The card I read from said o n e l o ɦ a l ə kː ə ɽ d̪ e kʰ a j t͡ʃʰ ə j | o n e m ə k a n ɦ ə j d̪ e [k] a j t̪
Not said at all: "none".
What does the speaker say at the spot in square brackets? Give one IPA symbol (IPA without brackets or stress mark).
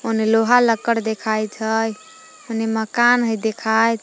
kʰ